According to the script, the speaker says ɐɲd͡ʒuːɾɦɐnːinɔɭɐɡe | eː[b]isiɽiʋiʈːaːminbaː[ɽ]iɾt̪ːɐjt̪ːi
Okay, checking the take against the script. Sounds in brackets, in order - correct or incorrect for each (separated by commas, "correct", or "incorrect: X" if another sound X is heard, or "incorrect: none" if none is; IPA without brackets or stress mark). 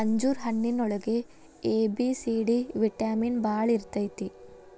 correct, incorrect: ɭ